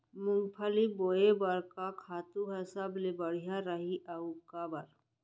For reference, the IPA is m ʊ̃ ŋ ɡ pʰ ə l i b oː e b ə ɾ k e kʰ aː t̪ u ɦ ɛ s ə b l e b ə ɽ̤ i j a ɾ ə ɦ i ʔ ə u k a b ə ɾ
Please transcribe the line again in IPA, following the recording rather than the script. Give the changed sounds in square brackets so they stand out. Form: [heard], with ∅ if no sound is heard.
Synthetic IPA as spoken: m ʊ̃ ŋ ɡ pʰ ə l i b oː e b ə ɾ k [a] kʰ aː t̪ u ɦ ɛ s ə b l e b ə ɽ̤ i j a ɾ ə ɦ i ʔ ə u k a b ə ɾ